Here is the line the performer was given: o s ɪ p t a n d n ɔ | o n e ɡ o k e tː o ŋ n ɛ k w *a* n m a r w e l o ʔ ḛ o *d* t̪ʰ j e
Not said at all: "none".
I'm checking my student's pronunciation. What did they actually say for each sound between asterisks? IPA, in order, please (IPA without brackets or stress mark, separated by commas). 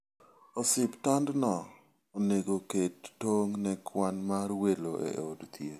a, d